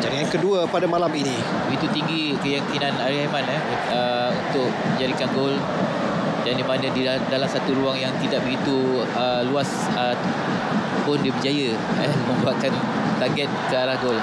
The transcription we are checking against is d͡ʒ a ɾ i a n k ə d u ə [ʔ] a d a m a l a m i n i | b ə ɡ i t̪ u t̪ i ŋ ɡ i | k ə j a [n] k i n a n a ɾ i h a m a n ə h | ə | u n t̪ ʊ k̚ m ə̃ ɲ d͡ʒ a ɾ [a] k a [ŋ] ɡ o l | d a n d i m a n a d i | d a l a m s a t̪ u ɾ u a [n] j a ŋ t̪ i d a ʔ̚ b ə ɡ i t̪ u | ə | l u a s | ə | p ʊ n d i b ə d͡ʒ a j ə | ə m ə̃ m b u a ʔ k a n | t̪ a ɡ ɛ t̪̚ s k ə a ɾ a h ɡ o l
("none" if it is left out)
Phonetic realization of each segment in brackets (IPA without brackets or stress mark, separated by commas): p, ŋ, i, n, ŋ